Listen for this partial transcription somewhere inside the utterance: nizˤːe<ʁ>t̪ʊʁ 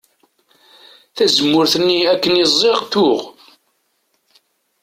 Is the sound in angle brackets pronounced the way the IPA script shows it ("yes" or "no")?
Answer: yes